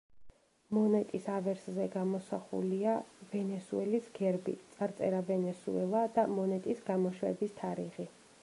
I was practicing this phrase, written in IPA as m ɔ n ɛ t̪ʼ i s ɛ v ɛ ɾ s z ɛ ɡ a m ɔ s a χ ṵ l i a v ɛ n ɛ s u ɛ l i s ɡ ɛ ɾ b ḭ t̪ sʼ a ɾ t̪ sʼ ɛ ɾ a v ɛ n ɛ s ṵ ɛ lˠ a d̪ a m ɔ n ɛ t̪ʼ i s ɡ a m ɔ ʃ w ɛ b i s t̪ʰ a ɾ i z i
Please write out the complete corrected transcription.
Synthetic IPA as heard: m ɔ n ɛ t̪ʼ i s a v ɛ ɾ s z ɛ ɡ a m ɔ s a χ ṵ l i a v ɛ n ɛ s u ɛ l i s ɡ ɛ ɾ b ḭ t̪ sʼ a ɾ t̪ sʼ ɛ ɾ a v ɛ n ɛ s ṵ ɛ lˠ a d̪ a m ɔ n ɛ t̪ʼ i s ɡ a m ɔ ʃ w ɛ b i s t̪ʰ a ɾ i ʁ i